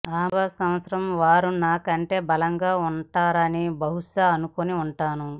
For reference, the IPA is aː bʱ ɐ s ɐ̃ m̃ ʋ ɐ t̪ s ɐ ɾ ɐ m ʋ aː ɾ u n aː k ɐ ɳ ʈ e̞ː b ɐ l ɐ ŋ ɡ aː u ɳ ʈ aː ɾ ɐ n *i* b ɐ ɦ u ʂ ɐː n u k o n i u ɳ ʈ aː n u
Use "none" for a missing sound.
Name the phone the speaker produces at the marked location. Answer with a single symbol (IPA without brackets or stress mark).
i